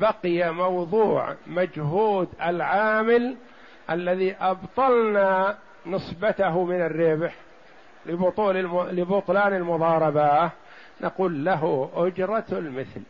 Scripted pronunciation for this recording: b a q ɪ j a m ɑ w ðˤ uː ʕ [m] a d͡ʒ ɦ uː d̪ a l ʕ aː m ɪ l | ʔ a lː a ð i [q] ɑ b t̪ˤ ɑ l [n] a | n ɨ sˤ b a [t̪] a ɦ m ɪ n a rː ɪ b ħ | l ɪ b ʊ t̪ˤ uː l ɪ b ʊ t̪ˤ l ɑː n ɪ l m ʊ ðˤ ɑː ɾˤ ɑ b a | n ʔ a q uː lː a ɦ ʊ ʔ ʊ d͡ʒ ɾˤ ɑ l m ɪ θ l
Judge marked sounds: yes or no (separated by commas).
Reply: yes, no, yes, yes